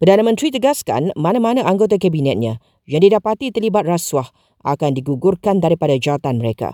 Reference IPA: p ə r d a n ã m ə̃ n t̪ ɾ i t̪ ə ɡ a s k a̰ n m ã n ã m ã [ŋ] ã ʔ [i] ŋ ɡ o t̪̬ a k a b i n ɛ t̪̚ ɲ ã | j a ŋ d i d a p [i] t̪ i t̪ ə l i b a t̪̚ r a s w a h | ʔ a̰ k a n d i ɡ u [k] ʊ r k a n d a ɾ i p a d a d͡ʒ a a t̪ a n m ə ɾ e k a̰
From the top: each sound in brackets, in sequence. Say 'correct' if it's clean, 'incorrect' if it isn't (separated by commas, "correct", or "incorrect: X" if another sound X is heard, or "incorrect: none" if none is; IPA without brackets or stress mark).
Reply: incorrect: n, incorrect: a, incorrect: a, incorrect: ɡ